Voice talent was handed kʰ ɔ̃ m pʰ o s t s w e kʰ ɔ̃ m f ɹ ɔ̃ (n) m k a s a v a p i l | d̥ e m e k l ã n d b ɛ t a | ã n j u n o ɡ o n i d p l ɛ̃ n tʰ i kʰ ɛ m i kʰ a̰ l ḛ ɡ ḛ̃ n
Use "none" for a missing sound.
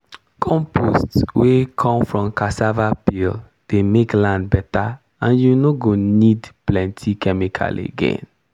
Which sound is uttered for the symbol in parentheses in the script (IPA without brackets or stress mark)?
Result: none